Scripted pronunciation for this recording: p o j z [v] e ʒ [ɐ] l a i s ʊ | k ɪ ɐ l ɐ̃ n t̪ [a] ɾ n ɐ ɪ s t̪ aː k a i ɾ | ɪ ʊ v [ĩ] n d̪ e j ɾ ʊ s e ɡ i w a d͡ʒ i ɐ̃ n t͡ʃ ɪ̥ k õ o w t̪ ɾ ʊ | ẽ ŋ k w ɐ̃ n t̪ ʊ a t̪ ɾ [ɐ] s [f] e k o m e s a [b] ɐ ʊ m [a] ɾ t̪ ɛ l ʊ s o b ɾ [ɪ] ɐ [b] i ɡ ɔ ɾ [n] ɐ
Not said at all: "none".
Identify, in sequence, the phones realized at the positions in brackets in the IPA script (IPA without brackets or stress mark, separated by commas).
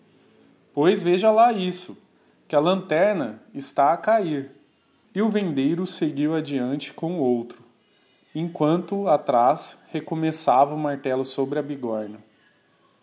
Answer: v, ɐ, ɛ, ẽ, a, h, v, a, ɪ, b, n